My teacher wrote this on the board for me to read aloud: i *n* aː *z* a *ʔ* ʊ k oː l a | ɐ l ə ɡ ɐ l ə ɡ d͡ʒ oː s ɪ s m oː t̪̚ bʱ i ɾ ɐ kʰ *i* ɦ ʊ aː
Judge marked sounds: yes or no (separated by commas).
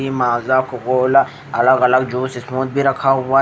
no, yes, no, no